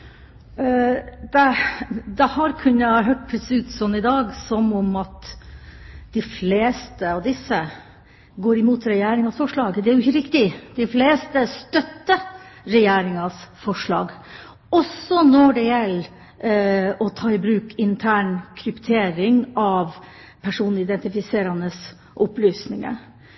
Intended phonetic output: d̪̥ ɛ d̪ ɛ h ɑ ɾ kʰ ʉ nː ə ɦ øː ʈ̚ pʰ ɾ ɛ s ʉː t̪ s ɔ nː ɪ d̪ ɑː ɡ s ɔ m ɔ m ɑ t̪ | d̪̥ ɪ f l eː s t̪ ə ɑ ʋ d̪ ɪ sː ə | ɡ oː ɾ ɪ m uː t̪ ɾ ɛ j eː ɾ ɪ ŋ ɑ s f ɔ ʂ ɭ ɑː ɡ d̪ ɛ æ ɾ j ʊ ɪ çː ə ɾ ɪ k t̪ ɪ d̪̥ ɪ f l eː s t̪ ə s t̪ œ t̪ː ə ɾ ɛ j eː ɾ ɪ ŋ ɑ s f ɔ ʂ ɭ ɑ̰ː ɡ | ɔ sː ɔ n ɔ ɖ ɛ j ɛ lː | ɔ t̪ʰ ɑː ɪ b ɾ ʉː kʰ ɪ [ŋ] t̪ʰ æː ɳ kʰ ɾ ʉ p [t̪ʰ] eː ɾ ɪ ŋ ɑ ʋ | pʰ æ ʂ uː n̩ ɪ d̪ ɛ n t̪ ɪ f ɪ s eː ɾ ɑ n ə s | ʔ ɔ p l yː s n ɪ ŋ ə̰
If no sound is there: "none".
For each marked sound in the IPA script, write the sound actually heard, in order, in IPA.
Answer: n, t̪ʰ

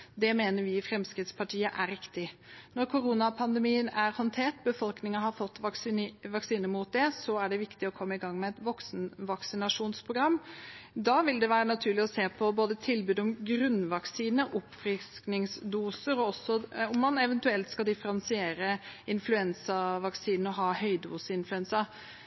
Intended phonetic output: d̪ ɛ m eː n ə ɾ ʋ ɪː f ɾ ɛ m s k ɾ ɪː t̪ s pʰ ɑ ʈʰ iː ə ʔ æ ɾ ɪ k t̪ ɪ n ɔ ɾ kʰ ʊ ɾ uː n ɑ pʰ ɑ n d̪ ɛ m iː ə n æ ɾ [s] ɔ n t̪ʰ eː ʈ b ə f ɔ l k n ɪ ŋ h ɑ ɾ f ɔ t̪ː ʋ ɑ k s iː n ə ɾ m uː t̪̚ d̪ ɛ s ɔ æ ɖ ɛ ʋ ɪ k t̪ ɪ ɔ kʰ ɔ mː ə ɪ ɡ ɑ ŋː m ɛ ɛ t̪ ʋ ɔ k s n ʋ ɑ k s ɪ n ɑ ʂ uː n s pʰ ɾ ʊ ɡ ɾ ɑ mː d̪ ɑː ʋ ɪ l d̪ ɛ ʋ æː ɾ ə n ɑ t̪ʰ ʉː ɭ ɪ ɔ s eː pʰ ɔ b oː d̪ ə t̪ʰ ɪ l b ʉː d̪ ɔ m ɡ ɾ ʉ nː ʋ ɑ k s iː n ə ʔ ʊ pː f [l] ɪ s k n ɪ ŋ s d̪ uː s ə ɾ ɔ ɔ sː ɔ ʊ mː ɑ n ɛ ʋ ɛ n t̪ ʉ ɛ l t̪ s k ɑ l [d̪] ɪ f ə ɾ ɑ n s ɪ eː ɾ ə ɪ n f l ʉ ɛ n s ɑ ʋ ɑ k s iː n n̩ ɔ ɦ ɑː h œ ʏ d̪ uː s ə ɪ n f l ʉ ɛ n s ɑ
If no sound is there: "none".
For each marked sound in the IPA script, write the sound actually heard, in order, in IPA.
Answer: h, ɾ, d̪

